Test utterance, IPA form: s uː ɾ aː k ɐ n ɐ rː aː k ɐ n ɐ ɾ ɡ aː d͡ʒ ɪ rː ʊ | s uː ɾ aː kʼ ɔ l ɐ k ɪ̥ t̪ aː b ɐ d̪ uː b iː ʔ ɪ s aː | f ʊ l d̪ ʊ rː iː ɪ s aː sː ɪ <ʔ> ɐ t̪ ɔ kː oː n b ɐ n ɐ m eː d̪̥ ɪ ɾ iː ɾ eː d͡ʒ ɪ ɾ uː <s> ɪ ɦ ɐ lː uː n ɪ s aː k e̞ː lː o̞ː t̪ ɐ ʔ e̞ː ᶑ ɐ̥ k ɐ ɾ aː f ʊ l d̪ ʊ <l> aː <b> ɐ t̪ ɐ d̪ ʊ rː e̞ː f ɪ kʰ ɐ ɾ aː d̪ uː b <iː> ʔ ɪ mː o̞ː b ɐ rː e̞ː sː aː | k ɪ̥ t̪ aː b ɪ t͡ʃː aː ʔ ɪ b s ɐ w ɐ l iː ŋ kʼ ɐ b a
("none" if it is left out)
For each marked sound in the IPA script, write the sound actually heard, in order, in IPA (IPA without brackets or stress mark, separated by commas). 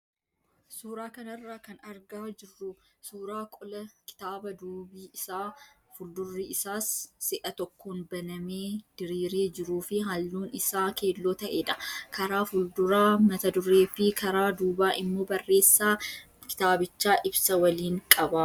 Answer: ʔ, f, ɾ, m, aː